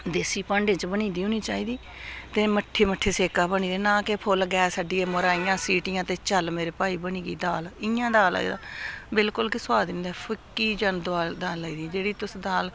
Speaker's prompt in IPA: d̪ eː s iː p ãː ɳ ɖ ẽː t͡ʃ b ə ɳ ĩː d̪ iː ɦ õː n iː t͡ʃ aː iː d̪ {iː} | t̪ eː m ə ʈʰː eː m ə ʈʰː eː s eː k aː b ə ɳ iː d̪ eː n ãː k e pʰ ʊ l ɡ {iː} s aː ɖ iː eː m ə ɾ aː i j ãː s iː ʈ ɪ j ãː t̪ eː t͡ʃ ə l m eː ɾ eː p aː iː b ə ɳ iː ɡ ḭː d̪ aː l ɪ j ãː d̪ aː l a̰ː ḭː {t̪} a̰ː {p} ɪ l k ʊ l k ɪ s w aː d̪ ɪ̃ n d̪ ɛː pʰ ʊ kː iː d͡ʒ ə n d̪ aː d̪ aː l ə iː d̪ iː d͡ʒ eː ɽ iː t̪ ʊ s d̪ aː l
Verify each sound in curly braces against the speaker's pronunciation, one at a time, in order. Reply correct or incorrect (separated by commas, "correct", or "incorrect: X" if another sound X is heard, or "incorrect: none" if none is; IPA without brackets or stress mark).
correct, incorrect: ɛː, incorrect: d̪, incorrect: b